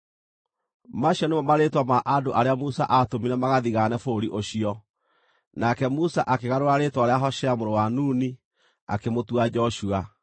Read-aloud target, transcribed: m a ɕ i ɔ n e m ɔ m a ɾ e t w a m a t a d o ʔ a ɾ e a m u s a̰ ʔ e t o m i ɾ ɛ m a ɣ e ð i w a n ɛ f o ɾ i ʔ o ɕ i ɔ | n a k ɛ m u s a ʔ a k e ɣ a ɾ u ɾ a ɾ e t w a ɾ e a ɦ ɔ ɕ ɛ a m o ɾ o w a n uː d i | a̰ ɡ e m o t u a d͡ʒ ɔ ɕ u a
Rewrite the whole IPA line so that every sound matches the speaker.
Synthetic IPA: m a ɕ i ɔ n e m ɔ m a ɾ e t w a m a ʔ a d o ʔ a ɾ e a m u s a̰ ʔ a t o m i ɾ ɛ m a ɣ a ð i ɣ a n ɛ f o ɾ i ʔ o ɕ i ɔ | n a k ɛ m u s a ʔ a k e ɣ a ɾ o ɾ a ɾ e t w a ɾ e a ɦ ɔ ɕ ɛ a m o ɾ o w a n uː n i | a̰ k e m o t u a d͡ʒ ɔ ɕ u a